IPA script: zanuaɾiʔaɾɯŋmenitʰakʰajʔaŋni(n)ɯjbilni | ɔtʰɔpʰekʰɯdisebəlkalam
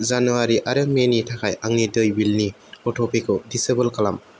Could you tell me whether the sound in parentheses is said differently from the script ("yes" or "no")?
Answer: yes